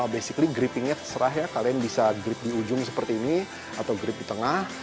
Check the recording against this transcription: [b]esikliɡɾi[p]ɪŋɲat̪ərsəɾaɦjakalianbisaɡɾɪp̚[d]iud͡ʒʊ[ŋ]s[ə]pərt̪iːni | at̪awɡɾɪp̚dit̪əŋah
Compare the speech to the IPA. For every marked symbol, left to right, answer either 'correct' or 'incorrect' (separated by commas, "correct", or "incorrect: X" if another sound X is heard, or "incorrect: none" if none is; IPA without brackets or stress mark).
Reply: correct, correct, correct, correct, correct